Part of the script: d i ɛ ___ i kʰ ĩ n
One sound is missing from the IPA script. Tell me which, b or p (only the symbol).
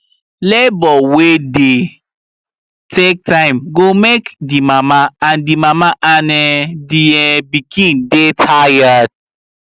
b